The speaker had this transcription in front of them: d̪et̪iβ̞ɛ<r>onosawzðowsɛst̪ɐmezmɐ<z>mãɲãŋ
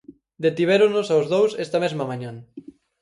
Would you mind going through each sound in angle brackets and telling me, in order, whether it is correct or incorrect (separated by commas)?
incorrect, incorrect